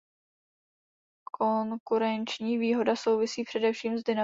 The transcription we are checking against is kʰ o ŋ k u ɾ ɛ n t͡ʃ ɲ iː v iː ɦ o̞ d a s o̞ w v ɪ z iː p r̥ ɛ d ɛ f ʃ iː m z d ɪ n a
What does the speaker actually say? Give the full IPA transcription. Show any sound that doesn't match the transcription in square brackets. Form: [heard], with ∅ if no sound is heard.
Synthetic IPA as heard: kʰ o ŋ k u ɾ ɛ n t͡ʃ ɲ iː v iː ɦ o̞ d a s o̞ w v ɪ [s] iː p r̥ ɛ d ɛ f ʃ iː m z d ɪ n a